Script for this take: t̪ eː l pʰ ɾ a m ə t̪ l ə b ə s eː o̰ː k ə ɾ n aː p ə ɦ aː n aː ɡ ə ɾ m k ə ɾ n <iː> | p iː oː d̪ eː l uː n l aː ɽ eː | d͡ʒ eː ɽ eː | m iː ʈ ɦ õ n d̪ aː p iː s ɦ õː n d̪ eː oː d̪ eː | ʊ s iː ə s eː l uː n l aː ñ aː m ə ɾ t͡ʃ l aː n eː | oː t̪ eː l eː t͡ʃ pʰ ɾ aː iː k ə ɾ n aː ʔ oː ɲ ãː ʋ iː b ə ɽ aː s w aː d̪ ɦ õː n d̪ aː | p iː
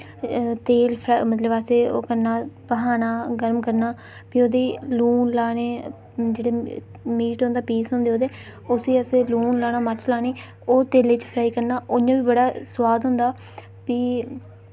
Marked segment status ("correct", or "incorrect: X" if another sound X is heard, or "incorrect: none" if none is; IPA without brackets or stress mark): incorrect: aː